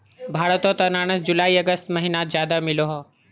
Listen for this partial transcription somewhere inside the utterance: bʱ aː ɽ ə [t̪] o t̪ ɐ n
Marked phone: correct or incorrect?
correct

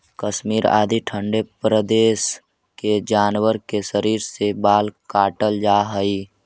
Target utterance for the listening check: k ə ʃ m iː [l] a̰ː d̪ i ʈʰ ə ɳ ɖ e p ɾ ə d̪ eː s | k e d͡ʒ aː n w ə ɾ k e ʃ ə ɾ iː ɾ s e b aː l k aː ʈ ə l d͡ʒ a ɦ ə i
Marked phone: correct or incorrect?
incorrect: ɾ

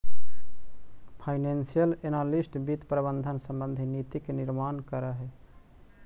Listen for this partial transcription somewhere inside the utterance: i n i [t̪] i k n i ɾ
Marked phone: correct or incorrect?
correct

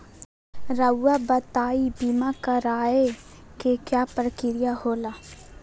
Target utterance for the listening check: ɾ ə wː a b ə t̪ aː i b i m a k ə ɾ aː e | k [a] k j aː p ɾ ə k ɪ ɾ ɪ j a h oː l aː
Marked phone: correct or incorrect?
incorrect: e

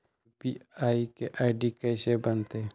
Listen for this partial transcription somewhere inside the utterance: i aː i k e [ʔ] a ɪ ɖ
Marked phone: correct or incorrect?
correct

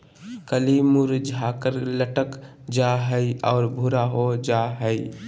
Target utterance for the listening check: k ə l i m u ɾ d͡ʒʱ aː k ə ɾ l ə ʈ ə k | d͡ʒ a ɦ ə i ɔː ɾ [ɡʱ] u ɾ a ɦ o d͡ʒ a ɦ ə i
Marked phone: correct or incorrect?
incorrect: bʱ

